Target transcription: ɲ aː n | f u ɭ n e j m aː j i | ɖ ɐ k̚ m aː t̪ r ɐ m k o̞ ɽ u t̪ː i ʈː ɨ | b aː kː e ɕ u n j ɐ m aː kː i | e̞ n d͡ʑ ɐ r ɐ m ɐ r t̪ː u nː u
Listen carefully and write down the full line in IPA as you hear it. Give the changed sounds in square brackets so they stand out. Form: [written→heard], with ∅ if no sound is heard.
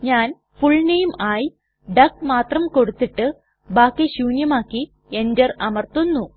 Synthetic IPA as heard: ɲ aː n | f u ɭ n e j m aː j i | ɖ ɐ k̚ m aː t̪ r ɐ m k o̞ ɽ u t̪ː i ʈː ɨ | b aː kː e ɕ [u→uː] n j ɐ m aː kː i | e̞ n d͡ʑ ɐ r ɐ m ɐ r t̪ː u nː u